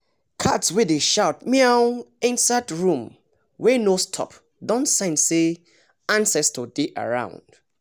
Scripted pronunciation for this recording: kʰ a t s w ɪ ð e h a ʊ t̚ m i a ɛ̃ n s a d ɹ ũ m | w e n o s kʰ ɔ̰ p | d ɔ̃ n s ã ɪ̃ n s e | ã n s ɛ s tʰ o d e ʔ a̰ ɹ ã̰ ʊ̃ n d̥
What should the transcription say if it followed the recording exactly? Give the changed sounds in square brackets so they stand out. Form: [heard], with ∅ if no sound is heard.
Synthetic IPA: kʰ a t s w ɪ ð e [ʃ] a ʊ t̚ m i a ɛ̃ n s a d ɹ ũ m | w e n o s [tʰ] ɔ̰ p | d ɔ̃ n s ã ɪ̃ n s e | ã n s ɛ s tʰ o d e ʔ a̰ ɹ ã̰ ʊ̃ n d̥